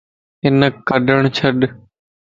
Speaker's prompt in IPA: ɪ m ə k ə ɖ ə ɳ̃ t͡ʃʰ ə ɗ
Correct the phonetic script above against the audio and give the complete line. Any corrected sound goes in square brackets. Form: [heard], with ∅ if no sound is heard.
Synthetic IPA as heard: ɪ [n] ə k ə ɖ ə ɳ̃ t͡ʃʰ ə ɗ